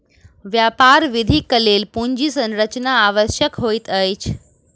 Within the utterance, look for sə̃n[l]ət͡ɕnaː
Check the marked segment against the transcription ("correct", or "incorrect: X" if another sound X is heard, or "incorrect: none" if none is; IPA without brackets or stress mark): incorrect: ɾ